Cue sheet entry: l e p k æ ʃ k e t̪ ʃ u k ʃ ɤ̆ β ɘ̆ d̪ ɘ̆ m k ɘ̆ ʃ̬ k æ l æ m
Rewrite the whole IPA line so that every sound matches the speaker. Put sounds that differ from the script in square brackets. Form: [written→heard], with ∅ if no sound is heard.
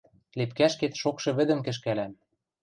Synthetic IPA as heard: l e p k æ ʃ k e t̪ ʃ [u→o] k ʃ ɤ̆ β ɘ̆ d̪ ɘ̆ m k ɘ̆ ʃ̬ k æ l æ m

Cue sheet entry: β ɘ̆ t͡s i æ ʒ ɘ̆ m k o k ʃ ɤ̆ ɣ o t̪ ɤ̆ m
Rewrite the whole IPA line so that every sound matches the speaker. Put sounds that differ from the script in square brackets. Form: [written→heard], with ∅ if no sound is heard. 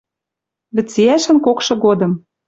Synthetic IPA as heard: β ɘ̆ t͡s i æ [ʒ→ʃ] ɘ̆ [m→n] k o k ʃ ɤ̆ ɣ o [t̪→d̪] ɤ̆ m

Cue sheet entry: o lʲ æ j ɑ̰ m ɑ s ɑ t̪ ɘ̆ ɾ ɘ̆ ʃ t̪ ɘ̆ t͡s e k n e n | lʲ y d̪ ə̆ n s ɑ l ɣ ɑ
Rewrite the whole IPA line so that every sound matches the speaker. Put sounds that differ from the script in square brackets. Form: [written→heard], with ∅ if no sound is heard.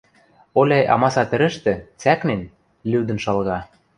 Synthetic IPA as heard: o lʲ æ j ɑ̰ m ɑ s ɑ t̪ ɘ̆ ɾ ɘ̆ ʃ t̪ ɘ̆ t͡s [e→æ] k n e n | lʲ y d̪ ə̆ n [s→ʃ] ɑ l ɣ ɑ

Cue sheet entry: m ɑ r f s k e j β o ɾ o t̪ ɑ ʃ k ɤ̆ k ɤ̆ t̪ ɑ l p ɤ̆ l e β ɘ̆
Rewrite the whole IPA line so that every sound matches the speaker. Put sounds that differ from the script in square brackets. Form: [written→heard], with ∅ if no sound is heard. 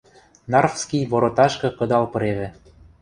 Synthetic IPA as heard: [m→n] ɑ r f s k [e→i] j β o ɾ o t̪ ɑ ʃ k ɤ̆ k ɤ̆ [t̪→d̪] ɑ l p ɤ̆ [l→ɾ] e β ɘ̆

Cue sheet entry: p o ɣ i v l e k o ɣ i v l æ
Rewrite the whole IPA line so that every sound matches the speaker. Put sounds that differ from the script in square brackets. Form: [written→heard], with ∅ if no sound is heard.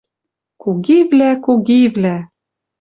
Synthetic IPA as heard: [p→k] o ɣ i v l [e→æ] k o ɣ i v l æ

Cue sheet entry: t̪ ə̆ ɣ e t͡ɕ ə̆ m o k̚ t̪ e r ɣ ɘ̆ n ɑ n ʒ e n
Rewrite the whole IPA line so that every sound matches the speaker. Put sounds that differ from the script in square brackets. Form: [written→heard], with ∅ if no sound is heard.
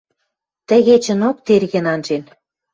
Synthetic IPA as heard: t̪ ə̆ ɣ e t͡ɕ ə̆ [m→n] o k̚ t̪ e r ɣ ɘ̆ n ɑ n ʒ e n

